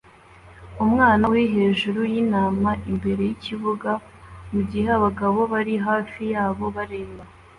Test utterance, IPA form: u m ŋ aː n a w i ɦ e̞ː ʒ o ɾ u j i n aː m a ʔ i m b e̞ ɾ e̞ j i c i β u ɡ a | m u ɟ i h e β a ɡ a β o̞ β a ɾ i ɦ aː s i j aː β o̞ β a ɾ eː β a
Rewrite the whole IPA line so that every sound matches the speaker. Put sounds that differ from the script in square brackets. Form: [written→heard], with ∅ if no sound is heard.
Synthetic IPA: u m ŋ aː n a w i ɦ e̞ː ʒ [o→u] ɾ u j i n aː m a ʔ i m b e̞ ɾ e̞ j i c i β u ɡ a | m u ɟ i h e β a ɡ a β o̞ β a ɾ i ɦ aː [s→f] i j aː β o̞ β a ɾ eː β a